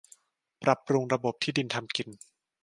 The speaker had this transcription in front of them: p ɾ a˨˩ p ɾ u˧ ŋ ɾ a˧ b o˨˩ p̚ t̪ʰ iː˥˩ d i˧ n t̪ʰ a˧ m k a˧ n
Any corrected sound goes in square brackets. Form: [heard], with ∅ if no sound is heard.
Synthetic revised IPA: p ɾ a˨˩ p ɾ u˧ ŋ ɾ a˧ b o˨˩ p̚ t̪ʰ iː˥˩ d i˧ n t̪ʰ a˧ m k [i˧] n

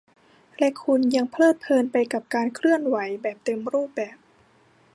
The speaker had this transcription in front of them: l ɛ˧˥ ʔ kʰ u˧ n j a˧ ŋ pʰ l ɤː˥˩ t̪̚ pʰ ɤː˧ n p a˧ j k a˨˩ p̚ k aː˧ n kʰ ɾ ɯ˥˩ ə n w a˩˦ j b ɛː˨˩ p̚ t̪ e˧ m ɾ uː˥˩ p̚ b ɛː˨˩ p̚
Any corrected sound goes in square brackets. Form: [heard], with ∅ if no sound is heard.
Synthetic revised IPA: l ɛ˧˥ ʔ kʰ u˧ n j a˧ ŋ pʰ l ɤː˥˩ t̪̚ pʰ ɤː˧ n p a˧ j k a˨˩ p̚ k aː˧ n kʰ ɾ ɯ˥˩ ə n w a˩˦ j b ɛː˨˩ p̚ t̪ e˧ m ɾ uː˥˩ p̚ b ɛː˨˩ p̚

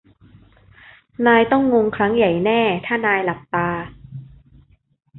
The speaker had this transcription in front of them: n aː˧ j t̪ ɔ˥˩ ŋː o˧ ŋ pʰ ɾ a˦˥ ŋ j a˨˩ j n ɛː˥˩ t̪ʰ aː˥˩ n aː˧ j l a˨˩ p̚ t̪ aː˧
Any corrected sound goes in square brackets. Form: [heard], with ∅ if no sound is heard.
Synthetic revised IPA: n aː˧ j t̪ ɔ˥˩ ŋː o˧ ŋ [kʰ] ɾ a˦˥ ŋ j a˨˩ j n ɛː˥˩ t̪ʰ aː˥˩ n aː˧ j l a˨˩ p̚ t̪ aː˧

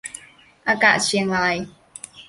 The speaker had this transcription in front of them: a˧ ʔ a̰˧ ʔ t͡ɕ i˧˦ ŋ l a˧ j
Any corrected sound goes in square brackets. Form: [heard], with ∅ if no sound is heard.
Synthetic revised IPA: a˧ [k] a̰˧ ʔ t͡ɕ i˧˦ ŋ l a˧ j

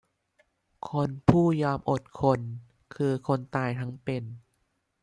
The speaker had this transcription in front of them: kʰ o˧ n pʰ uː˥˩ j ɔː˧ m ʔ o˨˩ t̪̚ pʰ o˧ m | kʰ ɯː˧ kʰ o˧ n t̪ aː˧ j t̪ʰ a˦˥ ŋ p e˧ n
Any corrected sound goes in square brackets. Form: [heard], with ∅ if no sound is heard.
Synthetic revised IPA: kʰ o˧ n pʰ uː˥˩ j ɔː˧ m ʔ o˨˩ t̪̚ [kʰ] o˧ [n] | kʰ ɯː˧ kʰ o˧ n t̪ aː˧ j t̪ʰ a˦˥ ŋ p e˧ n

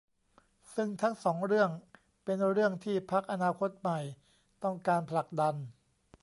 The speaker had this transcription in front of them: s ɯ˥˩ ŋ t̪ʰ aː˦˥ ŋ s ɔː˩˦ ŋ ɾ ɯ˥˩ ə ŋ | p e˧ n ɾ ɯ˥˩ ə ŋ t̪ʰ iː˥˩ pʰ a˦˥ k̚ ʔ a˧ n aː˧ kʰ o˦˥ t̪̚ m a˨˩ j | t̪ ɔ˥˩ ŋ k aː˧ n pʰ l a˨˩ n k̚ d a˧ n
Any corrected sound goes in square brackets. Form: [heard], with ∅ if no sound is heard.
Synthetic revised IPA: s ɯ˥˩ ŋ t̪ʰ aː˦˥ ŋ s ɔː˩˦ ŋ ɾ ɯ˥˩ ə ŋ | p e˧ n ɾ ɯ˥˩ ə ŋ t̪ʰ iː˥˩ pʰ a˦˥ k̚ ʔ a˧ n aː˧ kʰ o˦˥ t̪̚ m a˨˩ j | t̪ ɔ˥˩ ŋ k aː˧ n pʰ l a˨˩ [∅] k̚ d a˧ n

